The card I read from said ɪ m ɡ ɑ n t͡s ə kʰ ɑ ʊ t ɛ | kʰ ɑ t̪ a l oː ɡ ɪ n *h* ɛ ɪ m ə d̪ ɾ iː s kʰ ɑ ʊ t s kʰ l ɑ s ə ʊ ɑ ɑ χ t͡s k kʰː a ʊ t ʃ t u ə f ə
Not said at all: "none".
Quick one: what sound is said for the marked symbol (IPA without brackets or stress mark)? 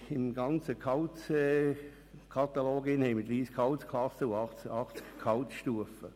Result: h